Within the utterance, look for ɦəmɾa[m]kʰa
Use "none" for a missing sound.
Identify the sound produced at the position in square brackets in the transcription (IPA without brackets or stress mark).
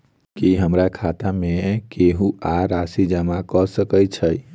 none